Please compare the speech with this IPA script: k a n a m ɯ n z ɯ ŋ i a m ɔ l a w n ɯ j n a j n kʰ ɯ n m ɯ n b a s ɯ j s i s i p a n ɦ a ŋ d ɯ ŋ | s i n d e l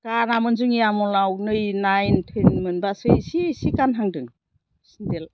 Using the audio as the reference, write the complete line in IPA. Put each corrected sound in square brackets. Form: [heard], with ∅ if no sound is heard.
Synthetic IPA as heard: k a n a m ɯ n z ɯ ŋ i a m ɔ l a w n ɯ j n a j n [tʰ] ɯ n m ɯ n b a s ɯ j s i s i [k] a n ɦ a ŋ d ɯ ŋ | s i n d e l